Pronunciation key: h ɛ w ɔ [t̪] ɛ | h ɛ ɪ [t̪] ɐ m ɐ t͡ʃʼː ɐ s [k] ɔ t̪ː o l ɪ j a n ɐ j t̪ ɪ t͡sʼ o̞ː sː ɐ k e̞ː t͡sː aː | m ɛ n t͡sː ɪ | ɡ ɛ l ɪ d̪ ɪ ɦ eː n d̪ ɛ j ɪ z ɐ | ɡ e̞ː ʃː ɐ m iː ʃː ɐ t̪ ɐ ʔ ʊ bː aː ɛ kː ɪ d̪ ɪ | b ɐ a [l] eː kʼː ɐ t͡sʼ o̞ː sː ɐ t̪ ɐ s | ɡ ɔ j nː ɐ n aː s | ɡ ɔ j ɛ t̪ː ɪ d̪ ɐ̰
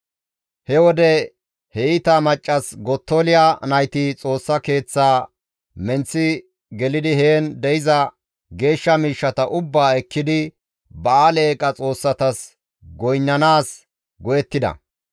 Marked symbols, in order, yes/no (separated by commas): no, yes, no, yes